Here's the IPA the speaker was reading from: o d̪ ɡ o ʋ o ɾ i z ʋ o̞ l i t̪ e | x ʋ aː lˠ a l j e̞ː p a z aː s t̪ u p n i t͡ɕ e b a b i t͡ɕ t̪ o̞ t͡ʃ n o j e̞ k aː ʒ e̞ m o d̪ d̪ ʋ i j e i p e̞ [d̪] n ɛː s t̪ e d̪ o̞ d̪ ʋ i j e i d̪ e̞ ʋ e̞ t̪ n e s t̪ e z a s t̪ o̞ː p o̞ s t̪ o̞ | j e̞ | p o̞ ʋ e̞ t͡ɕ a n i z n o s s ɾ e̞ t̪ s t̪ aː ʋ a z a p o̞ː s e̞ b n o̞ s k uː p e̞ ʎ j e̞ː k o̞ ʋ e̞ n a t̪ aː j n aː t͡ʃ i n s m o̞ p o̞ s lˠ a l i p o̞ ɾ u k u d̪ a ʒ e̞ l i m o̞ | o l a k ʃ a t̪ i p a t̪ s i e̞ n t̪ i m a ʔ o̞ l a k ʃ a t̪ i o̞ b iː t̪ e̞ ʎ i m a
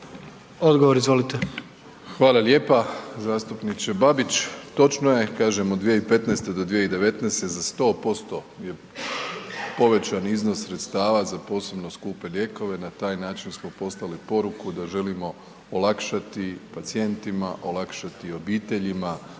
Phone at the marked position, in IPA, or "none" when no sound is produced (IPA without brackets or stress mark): t̪